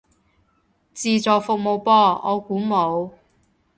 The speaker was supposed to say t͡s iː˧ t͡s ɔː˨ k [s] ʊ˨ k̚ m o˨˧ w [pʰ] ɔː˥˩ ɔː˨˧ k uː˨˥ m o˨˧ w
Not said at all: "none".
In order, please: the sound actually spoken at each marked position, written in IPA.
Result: f, p

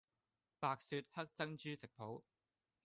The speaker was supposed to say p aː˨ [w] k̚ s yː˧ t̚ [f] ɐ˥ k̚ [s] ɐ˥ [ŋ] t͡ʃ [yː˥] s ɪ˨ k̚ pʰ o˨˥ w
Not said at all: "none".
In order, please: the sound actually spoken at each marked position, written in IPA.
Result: none, h, t͡s, ŋ, yː˥

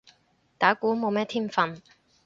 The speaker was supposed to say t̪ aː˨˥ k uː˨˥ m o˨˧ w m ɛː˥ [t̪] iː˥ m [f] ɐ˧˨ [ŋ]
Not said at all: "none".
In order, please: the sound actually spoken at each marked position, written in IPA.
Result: t̪ʰ, f, n

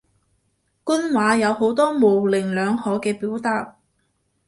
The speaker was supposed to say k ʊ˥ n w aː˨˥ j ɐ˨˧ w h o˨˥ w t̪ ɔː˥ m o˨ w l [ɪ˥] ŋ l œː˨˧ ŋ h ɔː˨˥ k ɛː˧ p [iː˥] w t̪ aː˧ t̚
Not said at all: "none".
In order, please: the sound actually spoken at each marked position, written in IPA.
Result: ɪ˨˩, iː˨˥

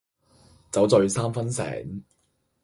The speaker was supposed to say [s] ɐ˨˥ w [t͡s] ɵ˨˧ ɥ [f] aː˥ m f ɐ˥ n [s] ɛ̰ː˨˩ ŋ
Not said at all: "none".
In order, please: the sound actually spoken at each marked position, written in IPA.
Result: t͡s, t͡s, s, s

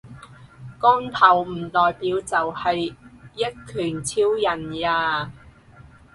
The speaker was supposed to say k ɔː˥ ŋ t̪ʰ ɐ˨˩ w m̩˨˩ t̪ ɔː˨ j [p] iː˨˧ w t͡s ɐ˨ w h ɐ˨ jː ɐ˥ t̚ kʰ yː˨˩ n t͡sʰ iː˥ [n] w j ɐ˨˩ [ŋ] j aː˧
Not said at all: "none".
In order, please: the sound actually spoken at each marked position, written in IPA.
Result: p, none, n

